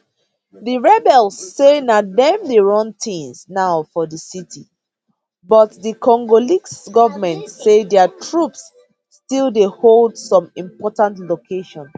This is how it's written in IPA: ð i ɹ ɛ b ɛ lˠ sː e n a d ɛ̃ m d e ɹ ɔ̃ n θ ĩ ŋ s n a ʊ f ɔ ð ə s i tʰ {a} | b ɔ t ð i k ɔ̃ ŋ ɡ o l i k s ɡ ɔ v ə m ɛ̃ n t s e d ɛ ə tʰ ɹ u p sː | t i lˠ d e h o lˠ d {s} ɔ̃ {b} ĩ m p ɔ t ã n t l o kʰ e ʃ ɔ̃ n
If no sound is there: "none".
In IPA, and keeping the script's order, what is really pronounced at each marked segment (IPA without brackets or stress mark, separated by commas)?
i, s, m